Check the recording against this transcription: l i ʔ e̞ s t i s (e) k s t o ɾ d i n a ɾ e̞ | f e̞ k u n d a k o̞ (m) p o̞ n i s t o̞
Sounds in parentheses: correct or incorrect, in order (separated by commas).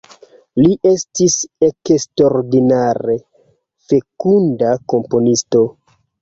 correct, correct